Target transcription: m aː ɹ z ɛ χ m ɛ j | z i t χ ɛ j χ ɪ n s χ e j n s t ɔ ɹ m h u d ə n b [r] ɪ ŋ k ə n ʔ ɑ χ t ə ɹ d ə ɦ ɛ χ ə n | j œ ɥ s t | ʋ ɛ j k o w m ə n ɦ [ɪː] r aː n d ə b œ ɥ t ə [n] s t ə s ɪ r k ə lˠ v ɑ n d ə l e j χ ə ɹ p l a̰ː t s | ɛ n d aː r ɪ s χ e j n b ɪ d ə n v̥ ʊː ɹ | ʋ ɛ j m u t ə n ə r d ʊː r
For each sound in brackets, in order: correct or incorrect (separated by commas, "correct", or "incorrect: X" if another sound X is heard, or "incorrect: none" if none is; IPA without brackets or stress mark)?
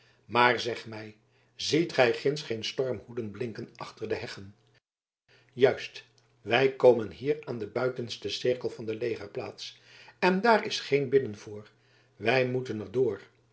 incorrect: l, incorrect: iː, correct